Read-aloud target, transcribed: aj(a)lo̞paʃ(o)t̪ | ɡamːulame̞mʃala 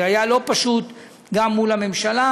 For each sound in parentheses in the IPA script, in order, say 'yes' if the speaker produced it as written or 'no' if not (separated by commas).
yes, no